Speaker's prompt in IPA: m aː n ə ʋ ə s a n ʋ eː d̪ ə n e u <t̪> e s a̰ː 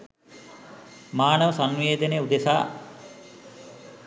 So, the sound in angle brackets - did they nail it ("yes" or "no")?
no